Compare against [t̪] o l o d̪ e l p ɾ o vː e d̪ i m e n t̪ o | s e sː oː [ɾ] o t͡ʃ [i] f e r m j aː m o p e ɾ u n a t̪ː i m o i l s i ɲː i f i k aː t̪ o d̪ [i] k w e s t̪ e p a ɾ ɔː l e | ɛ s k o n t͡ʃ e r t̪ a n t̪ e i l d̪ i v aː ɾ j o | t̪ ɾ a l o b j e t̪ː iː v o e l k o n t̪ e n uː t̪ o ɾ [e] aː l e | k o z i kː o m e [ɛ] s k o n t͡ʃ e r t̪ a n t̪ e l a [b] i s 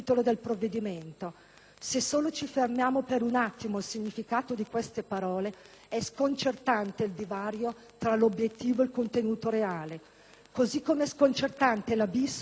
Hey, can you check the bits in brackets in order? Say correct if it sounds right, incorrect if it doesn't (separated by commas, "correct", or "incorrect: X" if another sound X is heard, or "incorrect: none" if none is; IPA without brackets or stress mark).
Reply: correct, incorrect: l, correct, correct, correct, correct, correct